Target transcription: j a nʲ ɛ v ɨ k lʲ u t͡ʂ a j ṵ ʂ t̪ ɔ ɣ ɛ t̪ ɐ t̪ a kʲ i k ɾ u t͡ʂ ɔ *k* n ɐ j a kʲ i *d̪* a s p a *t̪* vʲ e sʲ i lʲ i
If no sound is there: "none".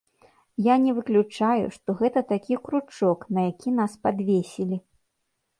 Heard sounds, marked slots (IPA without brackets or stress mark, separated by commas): k, n̪, d̪